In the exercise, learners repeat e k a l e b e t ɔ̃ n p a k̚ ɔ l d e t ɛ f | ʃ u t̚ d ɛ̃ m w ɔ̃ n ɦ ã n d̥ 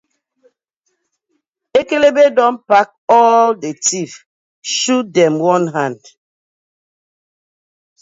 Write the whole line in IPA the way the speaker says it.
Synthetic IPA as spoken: e k e l e b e d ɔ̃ n p a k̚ ɔ l d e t i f | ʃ u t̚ d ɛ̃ m w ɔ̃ n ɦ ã n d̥